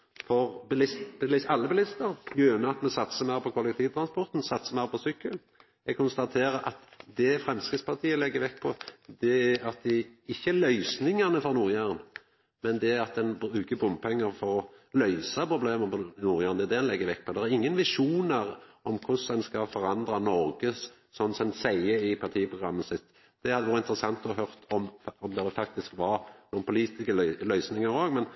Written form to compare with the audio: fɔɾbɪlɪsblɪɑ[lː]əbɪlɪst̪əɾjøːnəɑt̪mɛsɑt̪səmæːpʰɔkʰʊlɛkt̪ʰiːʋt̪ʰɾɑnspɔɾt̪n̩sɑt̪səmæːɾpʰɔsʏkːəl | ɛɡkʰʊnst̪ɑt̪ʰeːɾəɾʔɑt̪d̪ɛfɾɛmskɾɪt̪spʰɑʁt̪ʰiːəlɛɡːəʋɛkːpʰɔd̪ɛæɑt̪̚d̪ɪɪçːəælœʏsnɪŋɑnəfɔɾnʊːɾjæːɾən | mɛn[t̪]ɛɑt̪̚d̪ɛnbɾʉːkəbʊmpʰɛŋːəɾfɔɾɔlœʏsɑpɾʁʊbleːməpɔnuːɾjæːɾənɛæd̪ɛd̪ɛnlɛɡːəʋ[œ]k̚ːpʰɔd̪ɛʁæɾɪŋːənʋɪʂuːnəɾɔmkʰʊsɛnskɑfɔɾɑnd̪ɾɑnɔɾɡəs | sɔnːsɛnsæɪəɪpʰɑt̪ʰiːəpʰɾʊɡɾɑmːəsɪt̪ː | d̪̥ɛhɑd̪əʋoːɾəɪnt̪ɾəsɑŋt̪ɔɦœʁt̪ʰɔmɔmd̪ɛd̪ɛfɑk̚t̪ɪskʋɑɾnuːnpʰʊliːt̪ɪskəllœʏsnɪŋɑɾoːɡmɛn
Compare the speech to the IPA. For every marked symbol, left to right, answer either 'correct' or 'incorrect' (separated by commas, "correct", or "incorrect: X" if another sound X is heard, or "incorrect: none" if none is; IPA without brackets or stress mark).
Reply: correct, incorrect: d̪, incorrect: ɛ